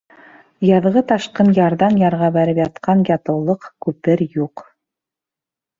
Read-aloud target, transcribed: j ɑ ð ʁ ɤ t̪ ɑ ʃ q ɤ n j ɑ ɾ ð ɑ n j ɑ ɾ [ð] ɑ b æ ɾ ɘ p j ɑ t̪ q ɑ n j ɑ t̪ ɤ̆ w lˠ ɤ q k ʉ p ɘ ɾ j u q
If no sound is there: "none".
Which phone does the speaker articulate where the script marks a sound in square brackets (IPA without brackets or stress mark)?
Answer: ʁ